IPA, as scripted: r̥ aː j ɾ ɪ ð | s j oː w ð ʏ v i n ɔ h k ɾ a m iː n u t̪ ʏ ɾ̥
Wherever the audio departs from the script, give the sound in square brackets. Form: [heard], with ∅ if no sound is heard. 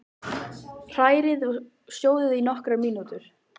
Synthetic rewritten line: r̥ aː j ɾ ɪ ð | s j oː w ð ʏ [ð] i n ɔ h k ɾ a m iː n u t̪ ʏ ɾ̥